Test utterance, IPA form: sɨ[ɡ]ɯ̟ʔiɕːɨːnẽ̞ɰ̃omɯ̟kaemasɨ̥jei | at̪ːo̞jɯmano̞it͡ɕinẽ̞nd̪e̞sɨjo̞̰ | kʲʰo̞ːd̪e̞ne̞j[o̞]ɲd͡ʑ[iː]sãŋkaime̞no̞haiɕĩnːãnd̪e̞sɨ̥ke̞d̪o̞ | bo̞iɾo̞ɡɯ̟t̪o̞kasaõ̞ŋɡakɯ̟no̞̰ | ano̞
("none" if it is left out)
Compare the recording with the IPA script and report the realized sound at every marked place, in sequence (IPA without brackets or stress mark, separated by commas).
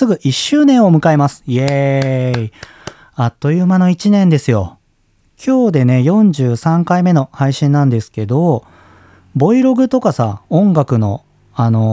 ɡ, õ̞, ɨː